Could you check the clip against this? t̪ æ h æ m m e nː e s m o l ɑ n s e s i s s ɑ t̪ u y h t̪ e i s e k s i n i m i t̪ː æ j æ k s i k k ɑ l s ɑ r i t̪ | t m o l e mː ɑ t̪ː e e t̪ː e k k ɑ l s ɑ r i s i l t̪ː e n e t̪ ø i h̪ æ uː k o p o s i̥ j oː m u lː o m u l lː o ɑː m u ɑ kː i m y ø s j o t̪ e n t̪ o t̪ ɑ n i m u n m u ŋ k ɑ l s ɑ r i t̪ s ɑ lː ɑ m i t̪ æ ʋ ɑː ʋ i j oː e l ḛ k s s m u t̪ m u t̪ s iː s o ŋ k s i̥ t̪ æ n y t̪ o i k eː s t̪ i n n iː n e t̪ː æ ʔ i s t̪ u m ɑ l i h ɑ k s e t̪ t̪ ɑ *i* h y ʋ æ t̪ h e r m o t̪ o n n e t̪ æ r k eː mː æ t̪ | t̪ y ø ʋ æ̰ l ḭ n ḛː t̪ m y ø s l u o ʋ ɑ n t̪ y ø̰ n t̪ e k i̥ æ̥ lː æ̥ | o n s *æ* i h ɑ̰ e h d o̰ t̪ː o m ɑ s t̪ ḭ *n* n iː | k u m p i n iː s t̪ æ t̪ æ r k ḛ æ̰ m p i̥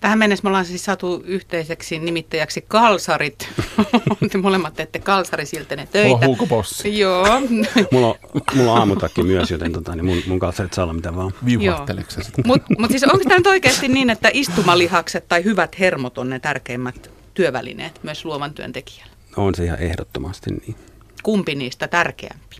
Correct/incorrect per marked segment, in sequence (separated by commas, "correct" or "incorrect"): correct, incorrect, correct